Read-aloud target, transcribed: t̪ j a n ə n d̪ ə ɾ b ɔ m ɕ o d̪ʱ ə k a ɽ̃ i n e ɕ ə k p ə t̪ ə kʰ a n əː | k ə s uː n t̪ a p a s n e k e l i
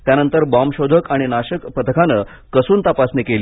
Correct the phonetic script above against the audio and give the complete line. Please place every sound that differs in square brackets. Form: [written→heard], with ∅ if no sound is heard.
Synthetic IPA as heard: t̪ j a n ə n [d̪→t̪] ə ɾ b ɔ m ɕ o d̪ʱ ə k a ɽ̃ i n [e→a] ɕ ə k p ə t̪ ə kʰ a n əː | k ə s uː n t̪ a p a s n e k e l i